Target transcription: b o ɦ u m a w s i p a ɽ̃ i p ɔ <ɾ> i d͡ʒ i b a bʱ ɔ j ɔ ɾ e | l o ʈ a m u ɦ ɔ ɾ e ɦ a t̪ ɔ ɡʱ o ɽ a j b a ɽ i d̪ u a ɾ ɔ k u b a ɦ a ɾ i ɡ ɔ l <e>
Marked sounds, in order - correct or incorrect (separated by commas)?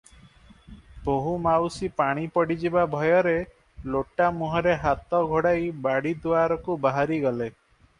incorrect, correct